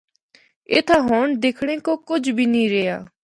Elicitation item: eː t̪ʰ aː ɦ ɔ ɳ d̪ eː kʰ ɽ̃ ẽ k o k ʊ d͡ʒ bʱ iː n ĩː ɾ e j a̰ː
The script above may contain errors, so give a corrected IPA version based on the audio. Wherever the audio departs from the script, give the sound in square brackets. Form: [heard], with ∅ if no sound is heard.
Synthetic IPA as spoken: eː t̪ʰ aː ɦ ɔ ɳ d̪ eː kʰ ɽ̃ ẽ k o k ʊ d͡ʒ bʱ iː n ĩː ɾ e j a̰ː